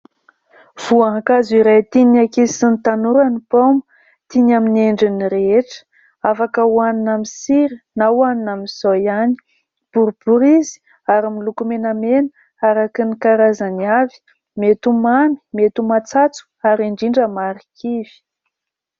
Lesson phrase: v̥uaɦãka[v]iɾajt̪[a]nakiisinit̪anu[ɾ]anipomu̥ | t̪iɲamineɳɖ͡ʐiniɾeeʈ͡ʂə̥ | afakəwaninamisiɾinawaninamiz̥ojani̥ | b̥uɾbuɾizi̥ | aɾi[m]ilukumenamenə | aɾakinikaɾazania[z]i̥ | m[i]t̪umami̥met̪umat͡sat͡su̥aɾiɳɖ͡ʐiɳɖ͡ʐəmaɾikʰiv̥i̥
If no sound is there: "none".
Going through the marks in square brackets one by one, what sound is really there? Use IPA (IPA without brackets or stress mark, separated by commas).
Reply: z, i, ɾ, m, v, e